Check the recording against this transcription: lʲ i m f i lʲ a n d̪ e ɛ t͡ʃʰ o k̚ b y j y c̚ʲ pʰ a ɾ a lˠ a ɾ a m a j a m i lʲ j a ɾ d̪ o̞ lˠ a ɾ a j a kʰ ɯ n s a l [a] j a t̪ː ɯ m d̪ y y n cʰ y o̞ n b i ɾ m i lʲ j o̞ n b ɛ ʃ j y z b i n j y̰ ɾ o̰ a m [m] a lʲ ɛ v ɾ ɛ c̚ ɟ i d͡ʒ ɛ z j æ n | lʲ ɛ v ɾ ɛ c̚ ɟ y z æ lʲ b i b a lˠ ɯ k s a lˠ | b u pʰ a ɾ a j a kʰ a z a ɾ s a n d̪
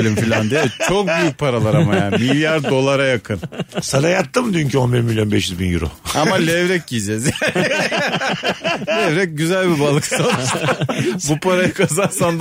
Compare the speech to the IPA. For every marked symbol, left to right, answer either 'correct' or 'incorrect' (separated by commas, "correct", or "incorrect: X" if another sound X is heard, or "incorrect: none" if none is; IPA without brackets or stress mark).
correct, correct